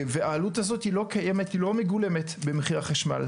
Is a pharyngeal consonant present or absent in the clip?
absent